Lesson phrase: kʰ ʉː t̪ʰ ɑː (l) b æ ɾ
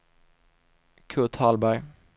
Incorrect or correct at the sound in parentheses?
correct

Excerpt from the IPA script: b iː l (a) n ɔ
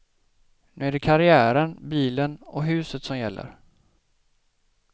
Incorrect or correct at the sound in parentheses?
incorrect: ə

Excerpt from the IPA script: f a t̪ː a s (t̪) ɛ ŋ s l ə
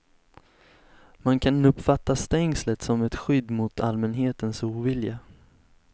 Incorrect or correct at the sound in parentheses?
correct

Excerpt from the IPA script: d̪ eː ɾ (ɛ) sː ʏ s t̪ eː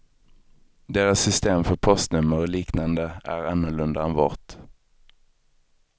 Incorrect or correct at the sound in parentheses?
incorrect: a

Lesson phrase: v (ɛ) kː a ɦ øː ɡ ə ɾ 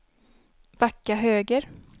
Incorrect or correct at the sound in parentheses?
incorrect: a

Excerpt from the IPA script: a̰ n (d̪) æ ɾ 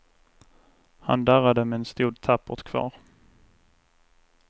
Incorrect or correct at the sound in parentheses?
correct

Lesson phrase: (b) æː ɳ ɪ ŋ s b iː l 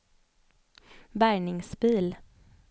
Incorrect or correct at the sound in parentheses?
correct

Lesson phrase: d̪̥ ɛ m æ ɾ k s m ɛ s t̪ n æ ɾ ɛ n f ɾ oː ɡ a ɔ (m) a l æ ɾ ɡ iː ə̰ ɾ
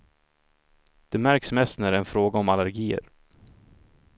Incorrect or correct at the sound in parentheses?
correct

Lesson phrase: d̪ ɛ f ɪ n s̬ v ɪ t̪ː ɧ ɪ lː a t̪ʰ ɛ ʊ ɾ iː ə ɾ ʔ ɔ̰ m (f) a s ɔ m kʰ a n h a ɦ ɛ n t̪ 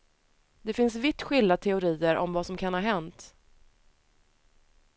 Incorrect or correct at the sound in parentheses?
incorrect: v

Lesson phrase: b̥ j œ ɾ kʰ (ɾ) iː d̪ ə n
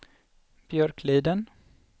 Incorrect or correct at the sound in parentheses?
incorrect: l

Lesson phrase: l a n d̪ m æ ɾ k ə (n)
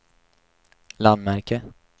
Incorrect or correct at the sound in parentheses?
incorrect: none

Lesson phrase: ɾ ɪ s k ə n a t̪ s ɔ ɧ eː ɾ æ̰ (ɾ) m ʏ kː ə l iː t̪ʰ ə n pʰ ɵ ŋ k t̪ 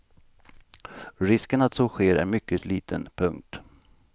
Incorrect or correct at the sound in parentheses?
correct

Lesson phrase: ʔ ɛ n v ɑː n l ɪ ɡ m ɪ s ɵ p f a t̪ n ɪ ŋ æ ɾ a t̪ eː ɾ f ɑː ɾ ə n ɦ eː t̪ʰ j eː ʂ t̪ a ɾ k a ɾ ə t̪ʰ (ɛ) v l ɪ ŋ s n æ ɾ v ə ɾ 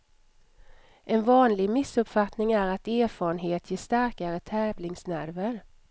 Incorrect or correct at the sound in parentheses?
incorrect: ɛː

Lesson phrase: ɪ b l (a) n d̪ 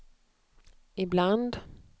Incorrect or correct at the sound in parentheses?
correct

